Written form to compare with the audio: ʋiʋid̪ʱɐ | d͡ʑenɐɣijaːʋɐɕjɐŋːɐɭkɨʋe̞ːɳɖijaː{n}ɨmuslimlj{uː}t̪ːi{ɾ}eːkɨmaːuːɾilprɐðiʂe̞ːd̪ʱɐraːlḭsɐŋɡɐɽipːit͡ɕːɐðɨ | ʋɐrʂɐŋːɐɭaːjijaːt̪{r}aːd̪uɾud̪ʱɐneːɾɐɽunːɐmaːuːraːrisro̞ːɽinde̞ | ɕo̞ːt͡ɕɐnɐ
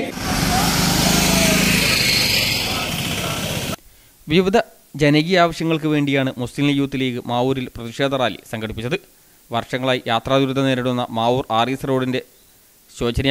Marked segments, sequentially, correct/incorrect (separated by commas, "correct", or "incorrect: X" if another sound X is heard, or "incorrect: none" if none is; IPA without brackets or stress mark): incorrect: ɳ, correct, incorrect: l, correct